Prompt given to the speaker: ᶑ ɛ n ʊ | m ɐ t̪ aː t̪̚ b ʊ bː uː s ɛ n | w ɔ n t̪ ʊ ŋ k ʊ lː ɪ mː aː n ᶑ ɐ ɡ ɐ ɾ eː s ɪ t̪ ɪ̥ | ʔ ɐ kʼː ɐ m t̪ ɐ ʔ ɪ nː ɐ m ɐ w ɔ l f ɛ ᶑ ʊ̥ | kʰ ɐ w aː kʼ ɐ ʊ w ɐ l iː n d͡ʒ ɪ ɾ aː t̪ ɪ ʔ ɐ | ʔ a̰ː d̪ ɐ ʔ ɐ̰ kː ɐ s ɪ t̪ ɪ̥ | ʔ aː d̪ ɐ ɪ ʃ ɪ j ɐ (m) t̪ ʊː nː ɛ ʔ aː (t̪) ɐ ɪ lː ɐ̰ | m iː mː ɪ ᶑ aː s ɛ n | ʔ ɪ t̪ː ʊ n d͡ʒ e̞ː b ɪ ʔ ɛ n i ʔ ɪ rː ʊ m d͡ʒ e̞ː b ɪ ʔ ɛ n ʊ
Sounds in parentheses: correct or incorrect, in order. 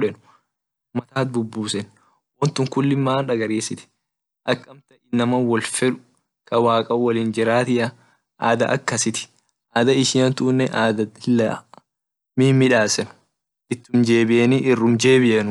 incorrect, incorrect

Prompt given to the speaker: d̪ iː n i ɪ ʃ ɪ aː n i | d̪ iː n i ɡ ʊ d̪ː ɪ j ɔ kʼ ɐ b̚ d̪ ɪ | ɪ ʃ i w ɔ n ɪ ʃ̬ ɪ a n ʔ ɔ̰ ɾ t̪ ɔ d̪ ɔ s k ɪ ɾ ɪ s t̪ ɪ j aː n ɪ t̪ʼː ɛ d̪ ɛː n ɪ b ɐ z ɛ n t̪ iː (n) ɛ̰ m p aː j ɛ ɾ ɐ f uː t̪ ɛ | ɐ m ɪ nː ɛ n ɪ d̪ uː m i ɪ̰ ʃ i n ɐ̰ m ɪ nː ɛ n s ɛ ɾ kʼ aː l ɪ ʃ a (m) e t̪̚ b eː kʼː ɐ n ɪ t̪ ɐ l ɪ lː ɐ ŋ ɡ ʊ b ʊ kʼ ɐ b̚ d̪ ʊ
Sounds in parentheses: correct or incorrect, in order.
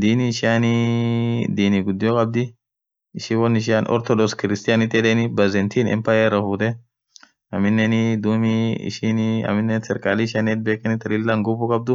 correct, incorrect

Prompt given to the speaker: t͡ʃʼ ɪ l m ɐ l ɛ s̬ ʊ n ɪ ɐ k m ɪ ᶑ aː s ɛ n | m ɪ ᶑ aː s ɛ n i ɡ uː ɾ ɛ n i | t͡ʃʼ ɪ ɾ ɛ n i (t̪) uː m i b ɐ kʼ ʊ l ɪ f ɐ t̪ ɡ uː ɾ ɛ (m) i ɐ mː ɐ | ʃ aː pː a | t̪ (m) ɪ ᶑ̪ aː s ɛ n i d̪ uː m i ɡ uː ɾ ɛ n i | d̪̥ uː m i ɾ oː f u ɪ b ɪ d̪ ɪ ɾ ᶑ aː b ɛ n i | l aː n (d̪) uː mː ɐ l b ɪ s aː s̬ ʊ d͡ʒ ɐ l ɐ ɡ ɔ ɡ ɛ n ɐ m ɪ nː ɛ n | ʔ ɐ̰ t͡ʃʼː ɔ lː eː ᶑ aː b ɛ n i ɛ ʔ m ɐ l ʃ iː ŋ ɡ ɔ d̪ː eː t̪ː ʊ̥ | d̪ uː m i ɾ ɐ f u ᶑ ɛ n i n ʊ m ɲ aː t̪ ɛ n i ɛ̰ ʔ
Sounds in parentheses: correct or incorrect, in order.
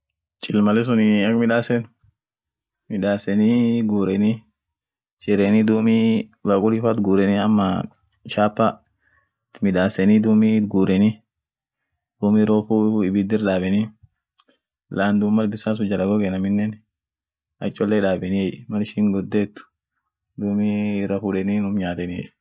incorrect, incorrect, correct, correct

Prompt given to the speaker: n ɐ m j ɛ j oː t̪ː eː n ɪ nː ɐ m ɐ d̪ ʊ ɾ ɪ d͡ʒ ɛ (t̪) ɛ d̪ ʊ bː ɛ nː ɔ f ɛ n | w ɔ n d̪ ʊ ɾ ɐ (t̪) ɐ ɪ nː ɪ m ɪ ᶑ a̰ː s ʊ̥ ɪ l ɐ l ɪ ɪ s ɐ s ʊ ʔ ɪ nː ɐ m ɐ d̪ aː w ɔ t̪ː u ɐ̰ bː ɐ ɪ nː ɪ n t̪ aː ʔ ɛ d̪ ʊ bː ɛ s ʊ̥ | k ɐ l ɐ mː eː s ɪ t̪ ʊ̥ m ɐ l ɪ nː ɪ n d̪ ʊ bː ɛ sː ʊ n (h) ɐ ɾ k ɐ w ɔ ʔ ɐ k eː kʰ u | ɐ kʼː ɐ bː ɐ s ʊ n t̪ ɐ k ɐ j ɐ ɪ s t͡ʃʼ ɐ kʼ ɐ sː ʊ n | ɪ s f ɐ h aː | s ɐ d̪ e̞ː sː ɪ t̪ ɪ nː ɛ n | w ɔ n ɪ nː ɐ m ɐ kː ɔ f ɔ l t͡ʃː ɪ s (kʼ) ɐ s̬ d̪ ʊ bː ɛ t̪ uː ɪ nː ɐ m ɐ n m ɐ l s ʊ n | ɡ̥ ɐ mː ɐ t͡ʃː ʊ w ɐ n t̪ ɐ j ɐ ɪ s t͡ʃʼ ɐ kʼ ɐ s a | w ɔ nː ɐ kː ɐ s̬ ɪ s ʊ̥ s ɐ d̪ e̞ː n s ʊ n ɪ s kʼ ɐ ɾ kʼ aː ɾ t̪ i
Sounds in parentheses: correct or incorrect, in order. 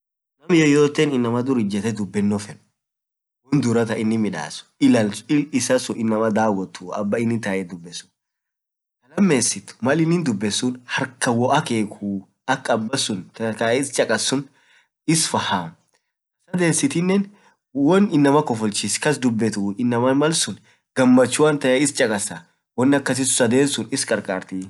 correct, correct, correct, incorrect

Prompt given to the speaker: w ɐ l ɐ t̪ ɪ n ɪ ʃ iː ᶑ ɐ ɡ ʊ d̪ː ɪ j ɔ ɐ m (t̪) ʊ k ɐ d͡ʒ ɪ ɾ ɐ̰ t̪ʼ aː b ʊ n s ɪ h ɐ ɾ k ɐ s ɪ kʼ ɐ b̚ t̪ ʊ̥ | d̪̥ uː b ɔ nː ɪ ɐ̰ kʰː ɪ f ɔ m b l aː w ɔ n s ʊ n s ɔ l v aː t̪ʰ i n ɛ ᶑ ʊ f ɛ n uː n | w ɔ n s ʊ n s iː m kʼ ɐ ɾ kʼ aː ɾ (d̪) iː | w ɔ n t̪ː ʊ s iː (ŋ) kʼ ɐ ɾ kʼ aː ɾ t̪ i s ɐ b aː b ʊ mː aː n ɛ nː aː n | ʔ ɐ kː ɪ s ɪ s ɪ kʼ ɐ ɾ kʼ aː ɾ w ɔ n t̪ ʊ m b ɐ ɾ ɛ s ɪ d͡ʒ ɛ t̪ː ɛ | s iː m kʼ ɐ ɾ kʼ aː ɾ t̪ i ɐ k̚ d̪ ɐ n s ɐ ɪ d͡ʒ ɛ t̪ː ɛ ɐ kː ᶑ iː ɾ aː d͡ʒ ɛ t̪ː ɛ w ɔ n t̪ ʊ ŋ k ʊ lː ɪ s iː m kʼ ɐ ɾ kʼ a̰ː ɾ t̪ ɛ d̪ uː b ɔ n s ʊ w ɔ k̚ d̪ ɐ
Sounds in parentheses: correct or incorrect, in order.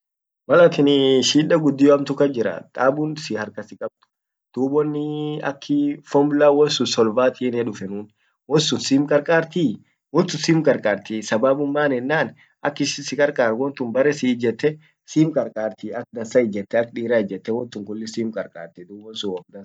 correct, incorrect, incorrect

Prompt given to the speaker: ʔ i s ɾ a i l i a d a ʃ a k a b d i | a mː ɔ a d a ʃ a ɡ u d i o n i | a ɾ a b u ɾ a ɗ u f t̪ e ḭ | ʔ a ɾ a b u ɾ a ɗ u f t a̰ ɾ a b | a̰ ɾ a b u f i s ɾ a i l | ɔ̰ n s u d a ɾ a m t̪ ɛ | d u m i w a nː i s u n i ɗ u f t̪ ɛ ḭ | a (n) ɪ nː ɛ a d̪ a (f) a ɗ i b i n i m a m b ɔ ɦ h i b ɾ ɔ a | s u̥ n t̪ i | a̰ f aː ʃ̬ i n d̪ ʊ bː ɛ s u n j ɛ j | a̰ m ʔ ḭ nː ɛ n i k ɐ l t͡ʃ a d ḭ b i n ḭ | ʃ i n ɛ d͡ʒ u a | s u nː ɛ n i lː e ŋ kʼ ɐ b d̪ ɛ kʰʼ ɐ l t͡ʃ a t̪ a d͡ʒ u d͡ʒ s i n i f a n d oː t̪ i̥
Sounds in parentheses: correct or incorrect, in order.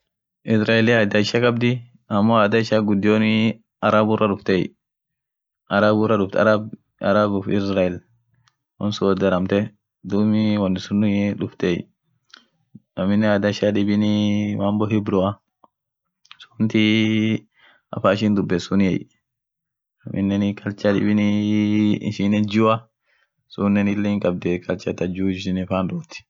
incorrect, incorrect

